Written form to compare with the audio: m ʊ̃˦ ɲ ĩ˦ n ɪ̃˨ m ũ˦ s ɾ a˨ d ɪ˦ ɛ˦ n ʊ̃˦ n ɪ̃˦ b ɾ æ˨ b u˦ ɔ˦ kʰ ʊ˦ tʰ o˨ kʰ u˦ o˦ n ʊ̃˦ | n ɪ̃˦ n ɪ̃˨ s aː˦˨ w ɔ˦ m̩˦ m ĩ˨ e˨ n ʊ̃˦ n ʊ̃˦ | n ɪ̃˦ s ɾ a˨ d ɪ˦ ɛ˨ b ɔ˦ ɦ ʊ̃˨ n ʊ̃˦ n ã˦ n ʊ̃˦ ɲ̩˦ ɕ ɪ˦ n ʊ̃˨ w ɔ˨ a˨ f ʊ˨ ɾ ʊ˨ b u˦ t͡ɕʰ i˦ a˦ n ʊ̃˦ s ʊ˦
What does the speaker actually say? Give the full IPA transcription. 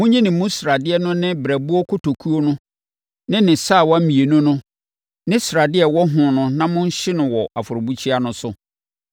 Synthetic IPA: m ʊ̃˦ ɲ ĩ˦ n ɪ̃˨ m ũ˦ s ɾ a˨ d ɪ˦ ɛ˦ n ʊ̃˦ n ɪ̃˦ b ɾ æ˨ b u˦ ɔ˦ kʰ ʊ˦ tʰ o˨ kʰ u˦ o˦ n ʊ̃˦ | n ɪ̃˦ n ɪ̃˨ s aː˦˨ w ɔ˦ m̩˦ m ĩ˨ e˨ n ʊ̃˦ n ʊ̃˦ | n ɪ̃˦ s ɾ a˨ d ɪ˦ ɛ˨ w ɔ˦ ɦ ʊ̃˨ n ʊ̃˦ n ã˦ m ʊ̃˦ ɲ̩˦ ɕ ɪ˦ n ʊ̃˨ w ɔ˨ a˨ f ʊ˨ ɾ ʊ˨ b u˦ t͡ɕʰ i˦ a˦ n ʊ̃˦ s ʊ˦